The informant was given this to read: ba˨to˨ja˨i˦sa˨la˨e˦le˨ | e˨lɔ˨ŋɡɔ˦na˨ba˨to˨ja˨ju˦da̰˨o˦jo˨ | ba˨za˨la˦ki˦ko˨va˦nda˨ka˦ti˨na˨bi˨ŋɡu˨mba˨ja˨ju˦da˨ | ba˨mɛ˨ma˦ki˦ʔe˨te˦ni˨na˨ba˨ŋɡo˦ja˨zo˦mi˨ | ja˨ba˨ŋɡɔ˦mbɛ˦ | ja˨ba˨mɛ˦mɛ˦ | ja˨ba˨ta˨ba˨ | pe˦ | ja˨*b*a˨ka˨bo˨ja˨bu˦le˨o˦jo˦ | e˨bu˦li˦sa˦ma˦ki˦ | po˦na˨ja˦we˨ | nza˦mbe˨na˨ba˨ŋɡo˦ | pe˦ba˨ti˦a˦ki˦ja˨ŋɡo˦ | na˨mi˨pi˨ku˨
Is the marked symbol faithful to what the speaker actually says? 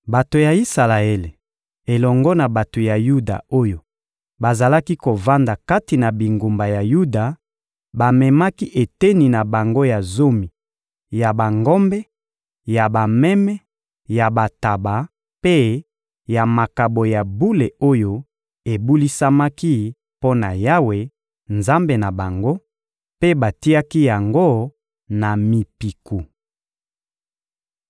no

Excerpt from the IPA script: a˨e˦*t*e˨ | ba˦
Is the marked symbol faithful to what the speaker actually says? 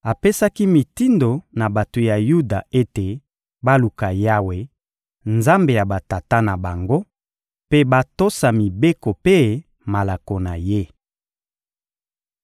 yes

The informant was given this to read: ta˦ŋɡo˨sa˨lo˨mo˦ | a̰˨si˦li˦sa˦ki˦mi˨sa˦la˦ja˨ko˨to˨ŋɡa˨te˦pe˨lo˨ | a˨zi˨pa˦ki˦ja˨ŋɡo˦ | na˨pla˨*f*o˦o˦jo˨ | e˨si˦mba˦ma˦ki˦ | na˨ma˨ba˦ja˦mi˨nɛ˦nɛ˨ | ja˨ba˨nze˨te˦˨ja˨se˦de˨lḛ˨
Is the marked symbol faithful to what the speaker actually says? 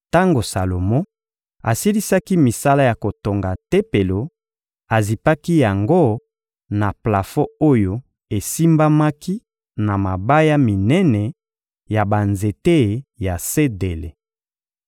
yes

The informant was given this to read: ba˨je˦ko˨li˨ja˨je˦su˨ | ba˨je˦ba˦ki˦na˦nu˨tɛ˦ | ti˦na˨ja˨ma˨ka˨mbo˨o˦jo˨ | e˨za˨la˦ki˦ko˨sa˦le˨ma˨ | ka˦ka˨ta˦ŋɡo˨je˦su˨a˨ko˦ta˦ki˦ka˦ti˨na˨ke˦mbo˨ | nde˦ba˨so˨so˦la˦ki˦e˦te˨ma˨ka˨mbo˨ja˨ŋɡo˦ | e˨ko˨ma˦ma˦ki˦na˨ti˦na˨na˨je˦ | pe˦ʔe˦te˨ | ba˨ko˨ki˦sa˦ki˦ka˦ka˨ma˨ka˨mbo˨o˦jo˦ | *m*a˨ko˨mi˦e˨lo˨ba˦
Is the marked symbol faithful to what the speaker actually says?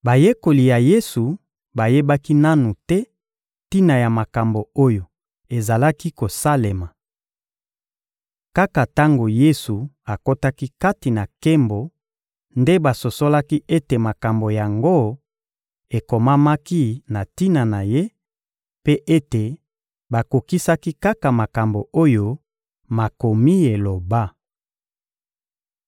yes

